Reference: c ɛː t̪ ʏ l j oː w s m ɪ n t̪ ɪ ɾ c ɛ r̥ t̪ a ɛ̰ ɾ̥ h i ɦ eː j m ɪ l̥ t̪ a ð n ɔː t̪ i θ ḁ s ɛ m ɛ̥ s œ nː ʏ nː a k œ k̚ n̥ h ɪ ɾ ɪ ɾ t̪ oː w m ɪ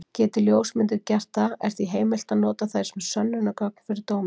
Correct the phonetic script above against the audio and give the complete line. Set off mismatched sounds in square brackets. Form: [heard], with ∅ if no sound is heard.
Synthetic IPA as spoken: c ɛː t̪ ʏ l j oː w s m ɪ n t̪ ɪ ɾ c ɛ r̥ t̪ a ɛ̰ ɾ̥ [θ] i ɦ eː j m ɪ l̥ t̪ a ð n ɔː t̪ [a] θ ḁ s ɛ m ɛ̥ s œ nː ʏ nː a k œ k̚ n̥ [f] ɪ ɾ ɪ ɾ t̪ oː w m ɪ